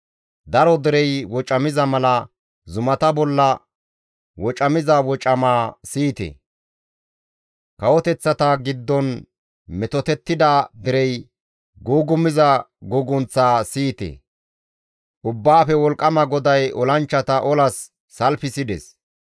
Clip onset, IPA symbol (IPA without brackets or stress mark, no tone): d̪